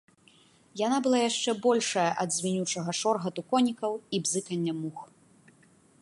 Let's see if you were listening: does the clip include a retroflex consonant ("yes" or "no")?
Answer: yes